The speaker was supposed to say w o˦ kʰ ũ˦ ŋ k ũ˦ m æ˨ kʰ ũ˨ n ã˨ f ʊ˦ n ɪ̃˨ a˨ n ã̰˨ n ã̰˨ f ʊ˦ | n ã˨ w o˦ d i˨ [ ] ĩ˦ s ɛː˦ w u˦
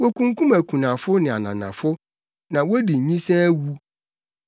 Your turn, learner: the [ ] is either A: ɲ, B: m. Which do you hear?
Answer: A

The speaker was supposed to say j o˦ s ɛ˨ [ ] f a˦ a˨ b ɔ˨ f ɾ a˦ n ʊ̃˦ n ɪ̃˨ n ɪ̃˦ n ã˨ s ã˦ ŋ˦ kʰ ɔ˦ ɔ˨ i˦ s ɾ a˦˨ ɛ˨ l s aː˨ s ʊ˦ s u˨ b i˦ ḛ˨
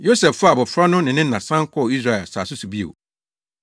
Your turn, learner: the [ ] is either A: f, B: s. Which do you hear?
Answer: A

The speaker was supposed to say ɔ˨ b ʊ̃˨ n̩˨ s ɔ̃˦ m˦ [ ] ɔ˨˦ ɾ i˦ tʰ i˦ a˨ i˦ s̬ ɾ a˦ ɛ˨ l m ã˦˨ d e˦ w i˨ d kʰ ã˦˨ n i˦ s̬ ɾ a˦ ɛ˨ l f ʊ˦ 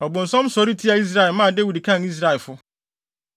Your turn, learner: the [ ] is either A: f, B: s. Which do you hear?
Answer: B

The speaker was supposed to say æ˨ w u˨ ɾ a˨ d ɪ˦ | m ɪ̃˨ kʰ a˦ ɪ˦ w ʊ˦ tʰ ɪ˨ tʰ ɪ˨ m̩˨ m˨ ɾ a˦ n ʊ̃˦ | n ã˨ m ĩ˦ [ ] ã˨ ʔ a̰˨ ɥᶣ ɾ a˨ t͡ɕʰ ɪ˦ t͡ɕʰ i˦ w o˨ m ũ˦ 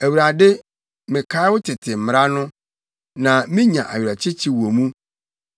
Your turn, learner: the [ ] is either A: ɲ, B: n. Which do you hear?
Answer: A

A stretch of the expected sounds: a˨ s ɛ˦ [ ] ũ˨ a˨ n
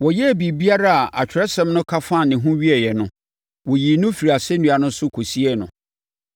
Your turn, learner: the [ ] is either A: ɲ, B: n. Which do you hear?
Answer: B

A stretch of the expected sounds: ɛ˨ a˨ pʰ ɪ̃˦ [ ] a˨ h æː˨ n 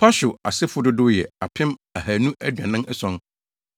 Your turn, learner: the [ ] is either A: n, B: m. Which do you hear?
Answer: B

